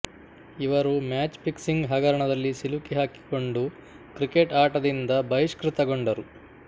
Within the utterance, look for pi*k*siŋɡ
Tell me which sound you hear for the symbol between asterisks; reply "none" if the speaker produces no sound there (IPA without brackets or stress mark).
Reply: k